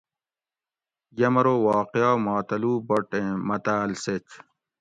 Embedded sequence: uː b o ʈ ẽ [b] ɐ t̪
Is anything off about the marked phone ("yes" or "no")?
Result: yes